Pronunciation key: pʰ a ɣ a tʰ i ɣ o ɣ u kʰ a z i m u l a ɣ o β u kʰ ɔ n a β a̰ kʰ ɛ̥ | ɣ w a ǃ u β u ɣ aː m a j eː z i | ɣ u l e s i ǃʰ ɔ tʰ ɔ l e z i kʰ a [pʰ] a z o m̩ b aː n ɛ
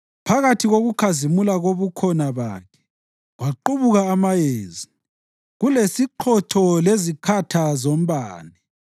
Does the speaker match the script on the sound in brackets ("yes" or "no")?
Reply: no